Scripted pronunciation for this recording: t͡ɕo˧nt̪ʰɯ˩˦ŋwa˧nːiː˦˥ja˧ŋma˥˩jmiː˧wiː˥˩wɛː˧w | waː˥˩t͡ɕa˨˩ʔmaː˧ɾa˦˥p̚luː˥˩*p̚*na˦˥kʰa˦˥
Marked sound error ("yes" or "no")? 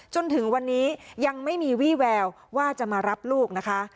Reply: yes